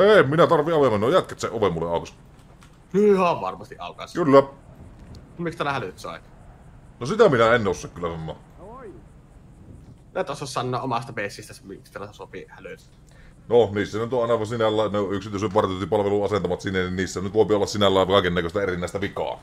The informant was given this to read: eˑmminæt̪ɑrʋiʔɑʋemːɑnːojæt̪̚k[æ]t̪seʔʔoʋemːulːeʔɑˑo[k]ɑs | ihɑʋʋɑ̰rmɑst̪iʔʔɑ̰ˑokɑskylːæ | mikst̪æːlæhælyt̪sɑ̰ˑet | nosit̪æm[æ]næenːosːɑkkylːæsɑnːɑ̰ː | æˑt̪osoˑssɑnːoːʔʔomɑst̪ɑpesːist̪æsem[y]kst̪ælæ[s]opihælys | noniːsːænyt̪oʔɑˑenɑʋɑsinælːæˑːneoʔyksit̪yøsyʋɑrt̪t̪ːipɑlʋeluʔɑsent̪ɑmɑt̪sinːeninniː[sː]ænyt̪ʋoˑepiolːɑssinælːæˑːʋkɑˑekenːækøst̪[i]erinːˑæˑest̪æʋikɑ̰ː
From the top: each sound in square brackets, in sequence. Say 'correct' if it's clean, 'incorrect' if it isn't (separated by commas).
correct, correct, incorrect, incorrect, correct, correct, incorrect